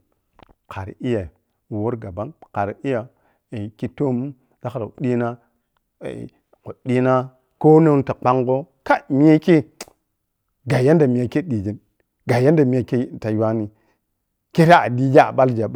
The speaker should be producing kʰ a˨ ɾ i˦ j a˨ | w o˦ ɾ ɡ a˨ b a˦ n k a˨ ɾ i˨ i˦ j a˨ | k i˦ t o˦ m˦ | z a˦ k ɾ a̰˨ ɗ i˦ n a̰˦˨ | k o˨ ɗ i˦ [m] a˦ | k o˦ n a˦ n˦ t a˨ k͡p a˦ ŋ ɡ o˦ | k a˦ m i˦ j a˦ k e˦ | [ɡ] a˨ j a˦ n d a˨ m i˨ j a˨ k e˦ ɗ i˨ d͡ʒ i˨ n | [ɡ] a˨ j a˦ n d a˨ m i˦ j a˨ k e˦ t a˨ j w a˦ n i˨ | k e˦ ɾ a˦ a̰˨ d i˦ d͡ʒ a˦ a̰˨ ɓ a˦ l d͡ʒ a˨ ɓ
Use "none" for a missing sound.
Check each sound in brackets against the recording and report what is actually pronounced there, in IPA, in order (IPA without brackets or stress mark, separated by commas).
n, ɡ, ɡ